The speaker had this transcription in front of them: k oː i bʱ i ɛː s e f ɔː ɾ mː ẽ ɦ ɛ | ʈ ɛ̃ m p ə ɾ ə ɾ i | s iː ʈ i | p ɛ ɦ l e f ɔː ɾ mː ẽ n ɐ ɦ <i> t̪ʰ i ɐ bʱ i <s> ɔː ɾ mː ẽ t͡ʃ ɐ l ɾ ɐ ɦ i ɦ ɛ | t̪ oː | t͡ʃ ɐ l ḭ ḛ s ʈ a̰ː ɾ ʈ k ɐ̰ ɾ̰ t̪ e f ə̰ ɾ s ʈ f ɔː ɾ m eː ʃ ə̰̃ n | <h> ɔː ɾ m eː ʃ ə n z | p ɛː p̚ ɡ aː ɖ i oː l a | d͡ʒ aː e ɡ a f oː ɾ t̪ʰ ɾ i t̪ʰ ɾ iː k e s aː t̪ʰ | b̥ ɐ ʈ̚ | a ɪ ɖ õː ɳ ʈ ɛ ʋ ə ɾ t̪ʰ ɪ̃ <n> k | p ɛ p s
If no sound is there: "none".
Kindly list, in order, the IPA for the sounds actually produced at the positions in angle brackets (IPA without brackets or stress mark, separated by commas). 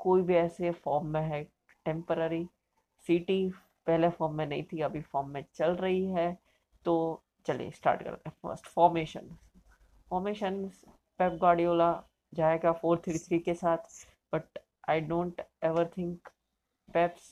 ĩ, f, f, ŋ